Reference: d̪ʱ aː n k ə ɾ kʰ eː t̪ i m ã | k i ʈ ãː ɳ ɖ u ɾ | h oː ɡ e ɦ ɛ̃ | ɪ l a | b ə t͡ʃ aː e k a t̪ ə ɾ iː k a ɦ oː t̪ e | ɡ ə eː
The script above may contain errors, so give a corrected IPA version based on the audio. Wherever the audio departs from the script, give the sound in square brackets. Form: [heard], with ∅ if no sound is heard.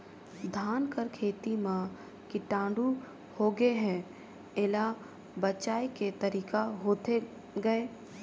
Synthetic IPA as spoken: d̪ʱ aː n k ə ɾ kʰ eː t̪ i m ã | k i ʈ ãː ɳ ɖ u [∅] | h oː ɡ e ɦ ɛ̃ | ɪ l a | b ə t͡ʃ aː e k [e] t̪ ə ɾ iː k a ɦ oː t̪ e | ɡ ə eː